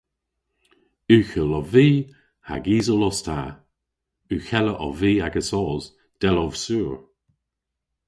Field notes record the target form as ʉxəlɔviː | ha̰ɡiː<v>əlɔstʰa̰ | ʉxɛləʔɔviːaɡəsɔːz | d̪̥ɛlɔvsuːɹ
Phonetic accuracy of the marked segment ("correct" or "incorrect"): incorrect